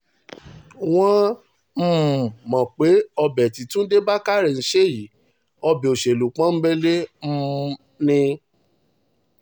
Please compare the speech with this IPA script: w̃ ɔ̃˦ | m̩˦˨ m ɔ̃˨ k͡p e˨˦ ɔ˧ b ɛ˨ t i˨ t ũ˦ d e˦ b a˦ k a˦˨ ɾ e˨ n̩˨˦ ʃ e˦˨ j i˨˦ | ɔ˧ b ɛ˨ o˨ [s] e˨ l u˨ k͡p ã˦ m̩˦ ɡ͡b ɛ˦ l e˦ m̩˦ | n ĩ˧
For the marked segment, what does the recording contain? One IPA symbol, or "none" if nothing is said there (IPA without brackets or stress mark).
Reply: ʃ